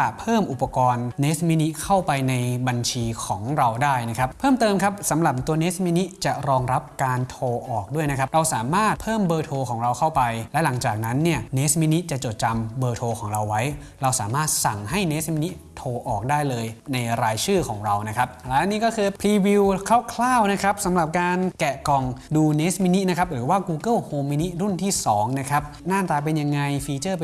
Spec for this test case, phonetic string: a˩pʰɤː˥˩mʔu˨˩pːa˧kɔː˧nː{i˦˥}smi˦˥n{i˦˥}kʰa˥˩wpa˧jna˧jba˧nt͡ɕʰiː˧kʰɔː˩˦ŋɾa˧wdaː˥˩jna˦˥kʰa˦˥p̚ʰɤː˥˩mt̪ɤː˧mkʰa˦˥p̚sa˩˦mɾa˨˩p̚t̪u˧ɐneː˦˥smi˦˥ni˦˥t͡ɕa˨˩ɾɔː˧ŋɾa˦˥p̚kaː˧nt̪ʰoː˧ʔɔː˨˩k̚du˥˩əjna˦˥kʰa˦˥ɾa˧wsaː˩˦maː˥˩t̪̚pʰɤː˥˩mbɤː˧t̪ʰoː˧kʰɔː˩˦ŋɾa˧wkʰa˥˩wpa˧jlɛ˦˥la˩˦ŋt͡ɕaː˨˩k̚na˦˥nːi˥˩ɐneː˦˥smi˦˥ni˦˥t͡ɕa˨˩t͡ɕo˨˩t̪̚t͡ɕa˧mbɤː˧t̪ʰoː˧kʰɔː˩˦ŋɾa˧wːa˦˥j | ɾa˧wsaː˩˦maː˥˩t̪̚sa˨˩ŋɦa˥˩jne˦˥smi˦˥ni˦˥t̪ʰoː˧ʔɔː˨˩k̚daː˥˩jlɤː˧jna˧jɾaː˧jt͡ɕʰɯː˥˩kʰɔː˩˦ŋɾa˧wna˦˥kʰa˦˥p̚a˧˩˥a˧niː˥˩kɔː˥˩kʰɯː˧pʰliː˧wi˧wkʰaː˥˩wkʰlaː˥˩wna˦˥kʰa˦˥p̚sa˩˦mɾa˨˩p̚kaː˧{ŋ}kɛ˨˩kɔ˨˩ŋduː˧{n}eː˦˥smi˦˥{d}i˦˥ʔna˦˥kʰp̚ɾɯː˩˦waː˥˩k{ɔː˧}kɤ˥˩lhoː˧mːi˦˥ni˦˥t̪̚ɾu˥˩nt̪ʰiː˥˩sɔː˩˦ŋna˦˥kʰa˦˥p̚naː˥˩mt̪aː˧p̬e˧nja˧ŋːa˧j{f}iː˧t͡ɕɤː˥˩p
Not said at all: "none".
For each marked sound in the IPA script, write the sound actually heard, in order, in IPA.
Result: e˦˥, i˦˥, n, n, n, uː˧, f

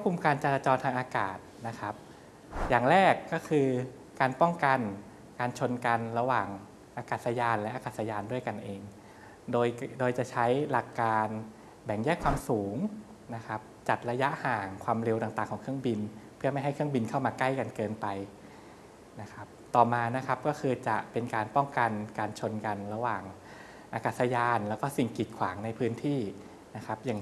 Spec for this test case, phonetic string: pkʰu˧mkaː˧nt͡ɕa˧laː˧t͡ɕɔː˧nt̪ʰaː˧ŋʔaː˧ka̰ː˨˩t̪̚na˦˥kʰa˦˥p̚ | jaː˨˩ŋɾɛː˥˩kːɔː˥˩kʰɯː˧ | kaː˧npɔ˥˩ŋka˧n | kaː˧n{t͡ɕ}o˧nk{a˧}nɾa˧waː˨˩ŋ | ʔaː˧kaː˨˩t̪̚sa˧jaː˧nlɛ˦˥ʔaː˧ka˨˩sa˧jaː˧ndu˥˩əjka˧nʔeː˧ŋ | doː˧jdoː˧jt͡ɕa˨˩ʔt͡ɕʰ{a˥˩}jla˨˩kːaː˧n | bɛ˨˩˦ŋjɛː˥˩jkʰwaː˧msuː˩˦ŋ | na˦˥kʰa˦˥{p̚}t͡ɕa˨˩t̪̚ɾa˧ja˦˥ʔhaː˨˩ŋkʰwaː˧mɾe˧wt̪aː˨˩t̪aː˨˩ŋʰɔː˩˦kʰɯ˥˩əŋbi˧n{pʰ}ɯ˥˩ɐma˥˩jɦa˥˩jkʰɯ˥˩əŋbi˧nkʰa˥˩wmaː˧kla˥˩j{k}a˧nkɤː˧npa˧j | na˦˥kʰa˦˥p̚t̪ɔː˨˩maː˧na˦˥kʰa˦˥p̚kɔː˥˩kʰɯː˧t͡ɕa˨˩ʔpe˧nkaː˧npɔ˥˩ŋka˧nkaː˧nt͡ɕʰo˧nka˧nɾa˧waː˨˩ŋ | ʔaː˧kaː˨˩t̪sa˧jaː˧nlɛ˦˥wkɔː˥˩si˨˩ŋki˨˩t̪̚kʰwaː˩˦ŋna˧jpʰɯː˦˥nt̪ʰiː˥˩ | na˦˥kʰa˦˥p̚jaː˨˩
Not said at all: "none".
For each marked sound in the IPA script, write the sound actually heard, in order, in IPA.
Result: t͡ɕʰ, a˧, a˦˥, p̚, pʰ, k

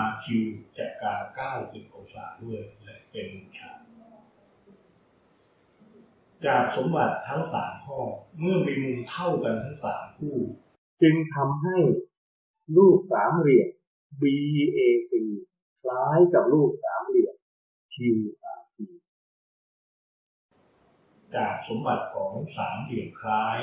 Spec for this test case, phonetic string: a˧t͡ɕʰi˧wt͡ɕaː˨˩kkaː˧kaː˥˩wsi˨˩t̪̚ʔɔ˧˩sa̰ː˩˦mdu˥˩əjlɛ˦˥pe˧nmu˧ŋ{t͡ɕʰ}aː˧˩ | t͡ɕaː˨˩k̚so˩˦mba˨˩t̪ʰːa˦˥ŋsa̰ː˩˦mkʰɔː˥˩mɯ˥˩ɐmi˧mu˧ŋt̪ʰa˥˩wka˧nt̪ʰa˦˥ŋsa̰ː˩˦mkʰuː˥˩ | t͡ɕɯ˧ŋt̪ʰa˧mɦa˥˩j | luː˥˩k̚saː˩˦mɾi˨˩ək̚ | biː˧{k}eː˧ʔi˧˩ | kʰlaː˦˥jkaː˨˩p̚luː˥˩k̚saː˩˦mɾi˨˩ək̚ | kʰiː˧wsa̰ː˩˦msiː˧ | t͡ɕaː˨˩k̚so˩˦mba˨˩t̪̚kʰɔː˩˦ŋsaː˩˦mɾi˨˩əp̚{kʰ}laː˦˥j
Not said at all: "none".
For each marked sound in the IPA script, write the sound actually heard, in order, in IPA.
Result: t͡ɕʰ, ʔ, kʰ

